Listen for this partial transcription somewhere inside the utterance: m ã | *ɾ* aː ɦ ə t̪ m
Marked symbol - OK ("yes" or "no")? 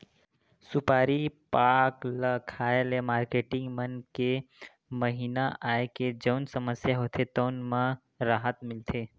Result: yes